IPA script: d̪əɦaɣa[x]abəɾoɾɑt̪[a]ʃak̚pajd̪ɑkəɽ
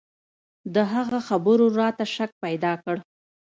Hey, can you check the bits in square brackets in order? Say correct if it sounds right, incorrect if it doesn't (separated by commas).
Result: correct, correct